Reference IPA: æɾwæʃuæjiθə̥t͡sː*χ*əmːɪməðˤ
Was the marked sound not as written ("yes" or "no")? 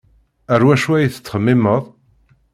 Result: no